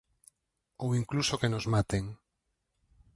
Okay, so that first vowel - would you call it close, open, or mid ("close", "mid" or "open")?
mid